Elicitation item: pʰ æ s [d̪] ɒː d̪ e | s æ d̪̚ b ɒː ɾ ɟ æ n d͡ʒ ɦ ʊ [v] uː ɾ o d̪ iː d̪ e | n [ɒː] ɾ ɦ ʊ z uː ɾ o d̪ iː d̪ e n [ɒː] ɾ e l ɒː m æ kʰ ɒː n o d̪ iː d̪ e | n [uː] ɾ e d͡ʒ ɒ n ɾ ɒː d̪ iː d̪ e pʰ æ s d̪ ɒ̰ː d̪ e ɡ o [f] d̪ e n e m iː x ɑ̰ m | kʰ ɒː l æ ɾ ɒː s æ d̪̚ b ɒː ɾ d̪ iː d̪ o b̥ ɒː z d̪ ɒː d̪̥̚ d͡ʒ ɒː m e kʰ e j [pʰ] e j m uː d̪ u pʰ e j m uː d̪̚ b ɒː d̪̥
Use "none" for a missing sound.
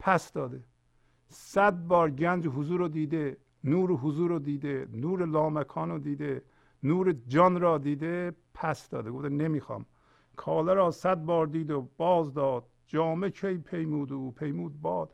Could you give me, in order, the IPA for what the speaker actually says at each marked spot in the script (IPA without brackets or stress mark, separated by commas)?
d̪, z, uː, uː, uː, f, pʰ